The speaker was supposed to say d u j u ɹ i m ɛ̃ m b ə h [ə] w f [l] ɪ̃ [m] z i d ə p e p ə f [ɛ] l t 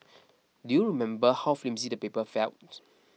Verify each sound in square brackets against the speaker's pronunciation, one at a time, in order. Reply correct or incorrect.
incorrect: a, correct, correct, correct

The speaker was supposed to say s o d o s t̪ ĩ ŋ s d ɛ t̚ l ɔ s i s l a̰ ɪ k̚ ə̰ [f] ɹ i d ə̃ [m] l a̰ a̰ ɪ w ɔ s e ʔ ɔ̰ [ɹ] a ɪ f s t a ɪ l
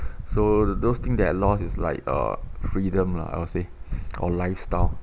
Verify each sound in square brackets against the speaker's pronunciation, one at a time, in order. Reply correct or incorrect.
correct, correct, incorrect: l

